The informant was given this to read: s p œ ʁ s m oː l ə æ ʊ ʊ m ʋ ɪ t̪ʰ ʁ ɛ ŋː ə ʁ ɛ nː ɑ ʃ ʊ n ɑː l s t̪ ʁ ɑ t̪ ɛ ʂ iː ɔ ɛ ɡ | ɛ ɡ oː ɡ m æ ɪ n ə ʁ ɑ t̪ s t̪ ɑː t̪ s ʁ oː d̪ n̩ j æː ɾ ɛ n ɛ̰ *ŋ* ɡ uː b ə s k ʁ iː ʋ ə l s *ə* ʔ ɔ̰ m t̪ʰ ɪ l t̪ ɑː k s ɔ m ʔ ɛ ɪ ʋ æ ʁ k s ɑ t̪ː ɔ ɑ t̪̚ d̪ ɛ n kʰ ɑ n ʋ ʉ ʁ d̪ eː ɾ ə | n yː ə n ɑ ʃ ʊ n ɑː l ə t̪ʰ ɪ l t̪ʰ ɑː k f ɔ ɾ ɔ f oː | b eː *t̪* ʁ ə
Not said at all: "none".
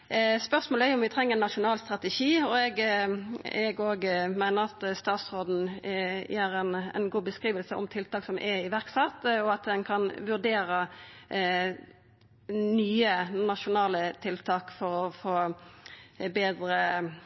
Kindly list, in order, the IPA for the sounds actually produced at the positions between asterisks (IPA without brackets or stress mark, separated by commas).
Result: n, ə, d̪